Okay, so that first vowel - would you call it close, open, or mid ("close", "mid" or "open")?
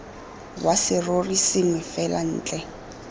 open